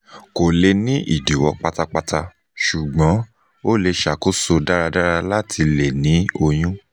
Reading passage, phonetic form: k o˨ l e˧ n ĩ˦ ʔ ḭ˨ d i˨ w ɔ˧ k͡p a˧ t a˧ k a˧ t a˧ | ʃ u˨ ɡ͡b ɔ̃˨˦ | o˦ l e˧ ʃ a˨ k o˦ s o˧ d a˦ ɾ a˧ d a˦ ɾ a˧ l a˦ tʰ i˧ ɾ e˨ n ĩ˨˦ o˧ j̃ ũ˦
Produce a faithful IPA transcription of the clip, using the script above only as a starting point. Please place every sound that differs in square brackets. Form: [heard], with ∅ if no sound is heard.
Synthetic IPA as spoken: k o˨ l e˧ n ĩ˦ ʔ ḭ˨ d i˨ w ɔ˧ k͡p a˧ t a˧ [k͡p] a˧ t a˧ | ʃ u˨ ɡ͡b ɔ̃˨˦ | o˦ l e˧ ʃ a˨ k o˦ s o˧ d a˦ ɾ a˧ d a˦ ɾ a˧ l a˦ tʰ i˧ [l] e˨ n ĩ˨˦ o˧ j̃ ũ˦